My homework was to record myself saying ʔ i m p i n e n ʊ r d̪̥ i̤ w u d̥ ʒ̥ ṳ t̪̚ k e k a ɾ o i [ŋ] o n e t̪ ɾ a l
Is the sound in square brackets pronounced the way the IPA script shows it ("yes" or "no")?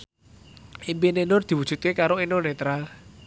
no